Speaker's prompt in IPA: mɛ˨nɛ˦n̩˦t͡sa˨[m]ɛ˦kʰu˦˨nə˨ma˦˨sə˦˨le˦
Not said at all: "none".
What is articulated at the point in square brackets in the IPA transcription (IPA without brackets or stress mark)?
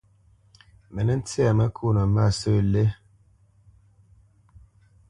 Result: m